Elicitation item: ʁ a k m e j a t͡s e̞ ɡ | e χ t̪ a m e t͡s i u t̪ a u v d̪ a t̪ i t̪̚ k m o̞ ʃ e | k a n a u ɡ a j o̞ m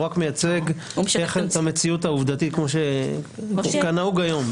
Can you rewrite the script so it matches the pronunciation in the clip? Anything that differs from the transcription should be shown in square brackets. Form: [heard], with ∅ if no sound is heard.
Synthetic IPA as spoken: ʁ a k m e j a t͡s e̞ ɡ | e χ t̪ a m e t͡s i u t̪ a u v d̪ a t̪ i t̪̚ k m o̞ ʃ e | k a n a u ɡ a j o̞ m